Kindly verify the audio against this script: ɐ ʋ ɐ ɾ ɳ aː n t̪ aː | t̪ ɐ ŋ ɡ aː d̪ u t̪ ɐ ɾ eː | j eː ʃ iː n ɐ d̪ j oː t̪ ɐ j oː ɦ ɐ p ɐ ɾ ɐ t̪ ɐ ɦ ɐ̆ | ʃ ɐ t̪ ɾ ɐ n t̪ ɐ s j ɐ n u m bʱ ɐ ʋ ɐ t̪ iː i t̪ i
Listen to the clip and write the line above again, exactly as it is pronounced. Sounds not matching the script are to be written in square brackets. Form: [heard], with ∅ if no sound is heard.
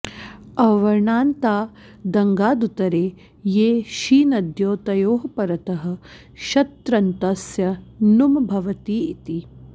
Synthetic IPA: ɐ ʋ ɐ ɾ ɳ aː n t̪ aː | [d̪] ɐ ŋ ɡ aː d̪ u t̪ ɐ ɾ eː | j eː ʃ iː n ɐ d̪ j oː t̪ ɐ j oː ɦ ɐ p ɐ ɾ ɐ t̪ ɐ ɦ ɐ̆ | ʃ ɐ t̪ ɾ ɐ n t̪ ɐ s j ɐ n u m bʱ ɐ ʋ ɐ t̪ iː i t̪ i